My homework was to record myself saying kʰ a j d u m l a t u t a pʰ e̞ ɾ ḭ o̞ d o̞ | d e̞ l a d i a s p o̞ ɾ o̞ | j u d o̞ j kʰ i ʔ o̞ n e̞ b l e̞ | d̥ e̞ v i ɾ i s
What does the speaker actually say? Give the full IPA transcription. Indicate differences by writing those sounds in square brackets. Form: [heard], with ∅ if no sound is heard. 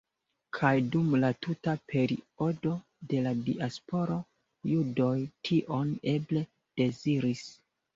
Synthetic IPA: kʰ a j d u m l a t u t a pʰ e̞ ɾ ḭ o̞ d o̞ | d e̞ l a d i a s p o̞ ɾ o̞ | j u d o̞ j [tʰ] i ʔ o̞ n e̞ b l e̞ | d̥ e̞ [z] i ɾ i s